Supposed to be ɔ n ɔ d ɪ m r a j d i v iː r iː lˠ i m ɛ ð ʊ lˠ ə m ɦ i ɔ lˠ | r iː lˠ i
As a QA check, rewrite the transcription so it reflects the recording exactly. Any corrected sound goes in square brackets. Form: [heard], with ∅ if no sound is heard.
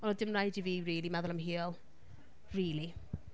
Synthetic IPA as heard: ɔ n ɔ d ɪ m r a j d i v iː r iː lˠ i m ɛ ð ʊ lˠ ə m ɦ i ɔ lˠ | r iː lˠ i